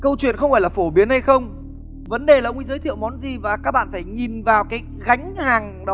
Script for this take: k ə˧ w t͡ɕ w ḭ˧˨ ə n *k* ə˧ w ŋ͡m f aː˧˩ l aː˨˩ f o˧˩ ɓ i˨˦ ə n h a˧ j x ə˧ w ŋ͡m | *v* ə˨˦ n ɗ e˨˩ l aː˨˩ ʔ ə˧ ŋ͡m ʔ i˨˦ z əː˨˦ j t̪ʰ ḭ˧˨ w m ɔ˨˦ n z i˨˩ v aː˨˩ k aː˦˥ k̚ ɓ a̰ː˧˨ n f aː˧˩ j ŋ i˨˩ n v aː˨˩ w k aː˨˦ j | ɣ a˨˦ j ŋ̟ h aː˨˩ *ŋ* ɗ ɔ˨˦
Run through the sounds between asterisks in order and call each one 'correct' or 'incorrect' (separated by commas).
incorrect, correct, correct